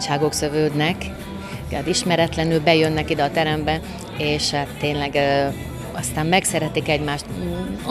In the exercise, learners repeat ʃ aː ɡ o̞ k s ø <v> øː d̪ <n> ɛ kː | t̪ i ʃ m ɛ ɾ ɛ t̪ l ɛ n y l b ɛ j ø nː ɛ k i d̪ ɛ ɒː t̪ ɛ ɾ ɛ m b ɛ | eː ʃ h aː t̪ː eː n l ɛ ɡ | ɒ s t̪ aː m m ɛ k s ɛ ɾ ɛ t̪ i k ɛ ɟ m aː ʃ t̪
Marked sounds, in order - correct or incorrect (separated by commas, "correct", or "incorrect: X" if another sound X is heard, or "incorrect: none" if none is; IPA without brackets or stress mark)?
correct, correct